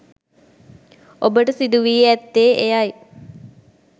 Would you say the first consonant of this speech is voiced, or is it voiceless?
voiced